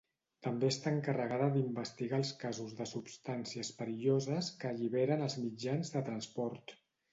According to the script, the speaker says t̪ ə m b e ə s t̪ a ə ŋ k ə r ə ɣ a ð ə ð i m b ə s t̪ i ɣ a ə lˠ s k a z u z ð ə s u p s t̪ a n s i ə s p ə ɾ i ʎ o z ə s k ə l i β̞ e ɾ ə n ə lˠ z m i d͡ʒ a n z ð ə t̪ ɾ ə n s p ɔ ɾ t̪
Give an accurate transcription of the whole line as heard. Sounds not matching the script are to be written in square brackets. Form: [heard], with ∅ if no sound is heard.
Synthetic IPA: t̪ ə m b e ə s t̪ a ə ŋ k ə r ə ɣ a ð ə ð i m b ə s t̪ i ɣ a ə lˠ s k a z u z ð ə s u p s t̪ a n s i ə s p ə ɾ i ʎ o z ə s k ə [ʎ] i β̞ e ɾ ə n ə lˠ z m i d͡ʒ a n z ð ə t̪ ɾ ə n s p ɔ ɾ t̪